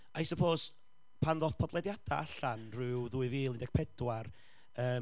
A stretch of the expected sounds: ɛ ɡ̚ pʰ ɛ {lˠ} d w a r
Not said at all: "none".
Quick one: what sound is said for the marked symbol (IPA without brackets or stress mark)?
none